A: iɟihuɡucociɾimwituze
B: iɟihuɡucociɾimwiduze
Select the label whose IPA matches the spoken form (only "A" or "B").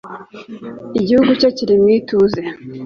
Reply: A